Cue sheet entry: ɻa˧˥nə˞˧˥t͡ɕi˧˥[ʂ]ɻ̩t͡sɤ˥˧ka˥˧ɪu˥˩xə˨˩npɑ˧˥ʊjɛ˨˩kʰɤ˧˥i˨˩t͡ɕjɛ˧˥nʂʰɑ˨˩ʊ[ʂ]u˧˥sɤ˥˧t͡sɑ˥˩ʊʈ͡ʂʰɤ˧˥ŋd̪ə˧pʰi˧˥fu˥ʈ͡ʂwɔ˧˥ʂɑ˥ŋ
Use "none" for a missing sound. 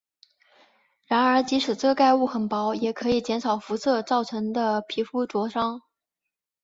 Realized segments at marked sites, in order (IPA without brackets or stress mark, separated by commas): ʂ, f